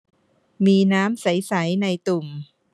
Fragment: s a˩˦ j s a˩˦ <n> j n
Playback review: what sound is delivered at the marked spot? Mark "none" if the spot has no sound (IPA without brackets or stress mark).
none